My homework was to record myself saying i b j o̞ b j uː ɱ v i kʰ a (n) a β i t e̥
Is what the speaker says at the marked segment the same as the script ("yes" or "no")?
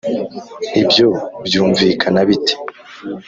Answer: yes